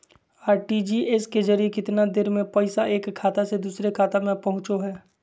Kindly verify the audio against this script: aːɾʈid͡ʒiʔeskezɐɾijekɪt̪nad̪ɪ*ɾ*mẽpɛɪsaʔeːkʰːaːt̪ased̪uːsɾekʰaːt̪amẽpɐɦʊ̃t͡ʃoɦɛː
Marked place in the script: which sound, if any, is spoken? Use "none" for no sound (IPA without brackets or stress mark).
ɾ